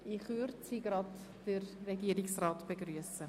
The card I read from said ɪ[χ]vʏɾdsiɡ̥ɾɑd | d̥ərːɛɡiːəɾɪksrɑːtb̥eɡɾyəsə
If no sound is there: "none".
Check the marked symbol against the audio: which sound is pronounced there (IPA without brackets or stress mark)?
χ